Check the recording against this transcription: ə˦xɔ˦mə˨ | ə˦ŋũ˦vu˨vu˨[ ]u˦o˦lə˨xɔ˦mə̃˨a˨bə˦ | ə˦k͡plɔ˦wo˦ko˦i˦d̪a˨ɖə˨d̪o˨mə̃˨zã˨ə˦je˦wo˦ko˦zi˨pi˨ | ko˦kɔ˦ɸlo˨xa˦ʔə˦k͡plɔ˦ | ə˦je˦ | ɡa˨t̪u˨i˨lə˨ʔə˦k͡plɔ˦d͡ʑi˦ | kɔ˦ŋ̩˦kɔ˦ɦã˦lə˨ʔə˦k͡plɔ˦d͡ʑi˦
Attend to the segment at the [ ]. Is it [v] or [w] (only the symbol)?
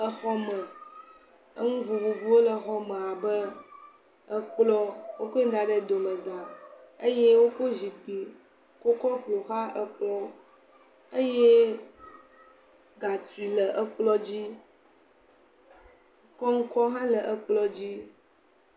v